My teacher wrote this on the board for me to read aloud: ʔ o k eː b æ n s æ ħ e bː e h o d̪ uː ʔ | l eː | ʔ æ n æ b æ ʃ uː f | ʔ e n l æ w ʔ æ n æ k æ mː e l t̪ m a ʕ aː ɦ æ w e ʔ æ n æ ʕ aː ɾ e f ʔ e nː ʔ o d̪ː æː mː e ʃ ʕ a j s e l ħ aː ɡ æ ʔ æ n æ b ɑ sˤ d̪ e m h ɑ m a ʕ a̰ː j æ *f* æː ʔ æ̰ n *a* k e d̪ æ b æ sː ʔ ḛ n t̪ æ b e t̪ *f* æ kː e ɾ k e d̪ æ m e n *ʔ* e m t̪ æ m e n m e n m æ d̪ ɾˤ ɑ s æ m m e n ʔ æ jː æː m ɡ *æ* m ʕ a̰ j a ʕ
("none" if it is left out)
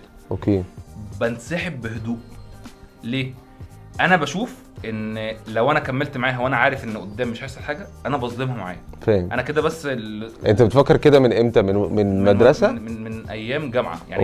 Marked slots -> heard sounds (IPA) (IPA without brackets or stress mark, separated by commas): f, æ, f, ʔ, æ